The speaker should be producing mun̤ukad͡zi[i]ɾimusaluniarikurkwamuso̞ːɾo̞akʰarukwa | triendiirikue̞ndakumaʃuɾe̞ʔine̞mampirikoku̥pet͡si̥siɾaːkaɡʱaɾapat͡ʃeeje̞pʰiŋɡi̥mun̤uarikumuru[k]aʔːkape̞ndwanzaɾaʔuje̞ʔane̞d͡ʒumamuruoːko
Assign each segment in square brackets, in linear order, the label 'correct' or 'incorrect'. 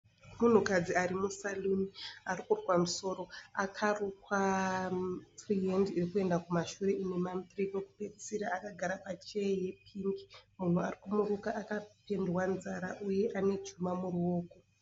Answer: incorrect, correct

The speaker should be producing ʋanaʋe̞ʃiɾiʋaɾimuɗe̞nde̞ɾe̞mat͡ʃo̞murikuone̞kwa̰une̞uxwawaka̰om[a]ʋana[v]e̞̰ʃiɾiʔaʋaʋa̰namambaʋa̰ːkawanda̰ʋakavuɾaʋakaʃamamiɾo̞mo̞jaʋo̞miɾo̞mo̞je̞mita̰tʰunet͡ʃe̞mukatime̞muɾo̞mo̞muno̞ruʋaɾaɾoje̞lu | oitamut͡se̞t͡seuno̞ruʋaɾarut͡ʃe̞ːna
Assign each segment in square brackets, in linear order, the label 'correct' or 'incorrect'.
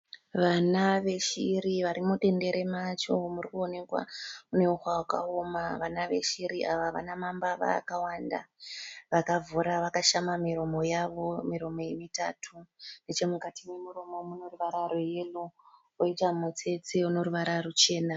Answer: correct, incorrect

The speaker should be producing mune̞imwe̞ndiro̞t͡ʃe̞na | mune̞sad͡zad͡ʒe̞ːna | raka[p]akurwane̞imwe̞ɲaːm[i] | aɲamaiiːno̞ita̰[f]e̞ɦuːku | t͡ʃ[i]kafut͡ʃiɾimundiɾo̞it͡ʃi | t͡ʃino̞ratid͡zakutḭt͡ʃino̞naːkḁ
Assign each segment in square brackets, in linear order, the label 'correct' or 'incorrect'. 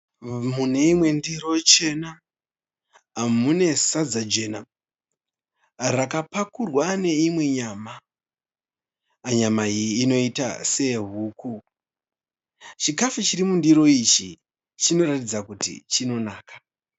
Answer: correct, incorrect, incorrect, correct

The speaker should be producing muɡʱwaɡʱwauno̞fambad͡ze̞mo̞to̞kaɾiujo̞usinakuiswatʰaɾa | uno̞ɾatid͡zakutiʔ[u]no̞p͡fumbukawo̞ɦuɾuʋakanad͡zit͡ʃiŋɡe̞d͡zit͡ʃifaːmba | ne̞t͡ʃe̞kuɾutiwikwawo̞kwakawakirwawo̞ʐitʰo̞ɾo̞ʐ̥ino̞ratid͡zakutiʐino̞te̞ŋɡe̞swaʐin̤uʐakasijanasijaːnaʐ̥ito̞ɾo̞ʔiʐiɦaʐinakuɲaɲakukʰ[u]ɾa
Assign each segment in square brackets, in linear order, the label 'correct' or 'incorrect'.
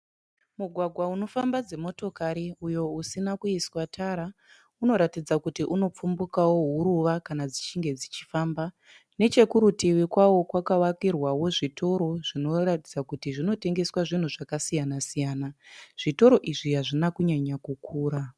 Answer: correct, incorrect

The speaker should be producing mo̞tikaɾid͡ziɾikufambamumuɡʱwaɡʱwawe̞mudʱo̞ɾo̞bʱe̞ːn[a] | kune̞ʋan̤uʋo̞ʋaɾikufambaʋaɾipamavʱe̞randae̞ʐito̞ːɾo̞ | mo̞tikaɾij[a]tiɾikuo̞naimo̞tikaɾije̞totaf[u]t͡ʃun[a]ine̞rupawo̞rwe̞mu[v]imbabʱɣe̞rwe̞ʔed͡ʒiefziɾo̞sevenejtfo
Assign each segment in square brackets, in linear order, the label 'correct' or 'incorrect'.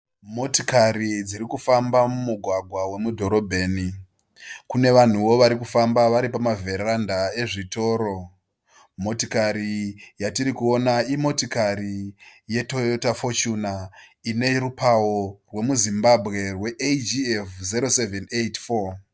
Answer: incorrect, correct, incorrect, correct, incorrect

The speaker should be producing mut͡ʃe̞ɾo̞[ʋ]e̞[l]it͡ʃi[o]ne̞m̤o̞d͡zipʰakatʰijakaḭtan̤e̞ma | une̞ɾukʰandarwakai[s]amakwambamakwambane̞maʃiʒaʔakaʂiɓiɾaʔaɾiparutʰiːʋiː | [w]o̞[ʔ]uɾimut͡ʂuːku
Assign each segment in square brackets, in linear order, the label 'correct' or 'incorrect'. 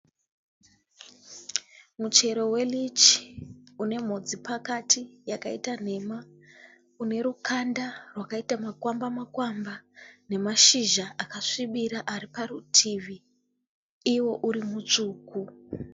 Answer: incorrect, correct, incorrect, incorrect, correct, correct

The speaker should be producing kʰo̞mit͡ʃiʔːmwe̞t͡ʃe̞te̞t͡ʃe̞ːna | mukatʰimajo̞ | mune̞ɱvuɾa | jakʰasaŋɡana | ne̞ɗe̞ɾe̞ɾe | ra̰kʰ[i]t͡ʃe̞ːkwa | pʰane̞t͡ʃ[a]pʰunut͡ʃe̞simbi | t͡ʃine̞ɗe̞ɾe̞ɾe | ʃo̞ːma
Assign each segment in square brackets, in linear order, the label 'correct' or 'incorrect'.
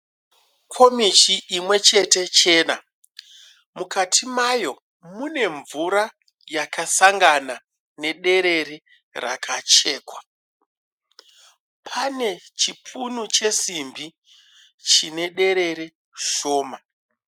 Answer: incorrect, incorrect

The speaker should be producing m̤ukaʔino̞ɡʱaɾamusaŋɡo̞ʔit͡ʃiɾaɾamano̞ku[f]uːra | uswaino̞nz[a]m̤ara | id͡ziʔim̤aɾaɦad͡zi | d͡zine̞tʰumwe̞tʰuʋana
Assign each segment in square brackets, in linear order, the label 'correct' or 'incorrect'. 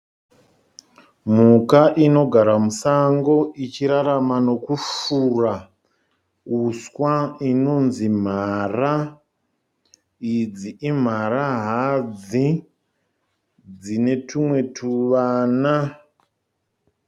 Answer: correct, incorrect

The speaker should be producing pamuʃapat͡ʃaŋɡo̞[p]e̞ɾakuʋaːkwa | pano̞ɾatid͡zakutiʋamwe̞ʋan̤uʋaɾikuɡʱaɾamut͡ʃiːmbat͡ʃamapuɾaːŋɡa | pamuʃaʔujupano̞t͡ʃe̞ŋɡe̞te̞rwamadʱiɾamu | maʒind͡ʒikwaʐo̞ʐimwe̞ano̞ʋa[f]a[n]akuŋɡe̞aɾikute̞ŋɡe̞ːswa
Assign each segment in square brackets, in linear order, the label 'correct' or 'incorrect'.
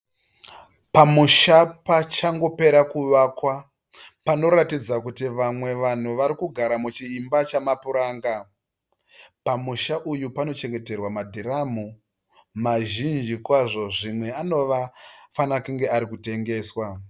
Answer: correct, correct, correct

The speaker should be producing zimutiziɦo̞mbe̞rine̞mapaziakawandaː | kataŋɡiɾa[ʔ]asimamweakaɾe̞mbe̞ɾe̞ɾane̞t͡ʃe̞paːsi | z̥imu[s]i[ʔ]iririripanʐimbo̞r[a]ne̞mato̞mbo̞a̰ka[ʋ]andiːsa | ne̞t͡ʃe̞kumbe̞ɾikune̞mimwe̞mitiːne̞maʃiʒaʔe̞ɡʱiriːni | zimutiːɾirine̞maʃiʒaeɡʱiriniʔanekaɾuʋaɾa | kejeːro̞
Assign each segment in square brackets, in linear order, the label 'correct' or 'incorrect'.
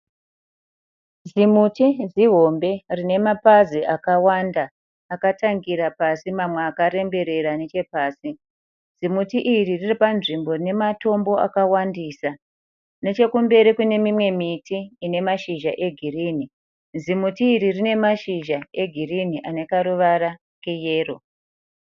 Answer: incorrect, incorrect, correct, incorrect, incorrect

